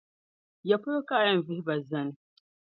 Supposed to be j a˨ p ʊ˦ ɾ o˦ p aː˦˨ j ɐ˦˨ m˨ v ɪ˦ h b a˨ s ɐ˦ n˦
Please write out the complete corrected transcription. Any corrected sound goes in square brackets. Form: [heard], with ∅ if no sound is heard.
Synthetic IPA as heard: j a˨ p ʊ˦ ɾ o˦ [k] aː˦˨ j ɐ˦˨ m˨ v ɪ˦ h b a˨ [z] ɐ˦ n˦